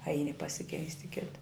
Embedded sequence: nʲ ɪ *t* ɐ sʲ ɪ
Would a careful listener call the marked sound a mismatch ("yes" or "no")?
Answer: yes